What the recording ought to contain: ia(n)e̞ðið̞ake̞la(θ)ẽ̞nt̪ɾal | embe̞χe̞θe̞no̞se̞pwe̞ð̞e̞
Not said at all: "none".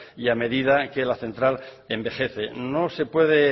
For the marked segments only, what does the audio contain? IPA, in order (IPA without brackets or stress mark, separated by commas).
m, θ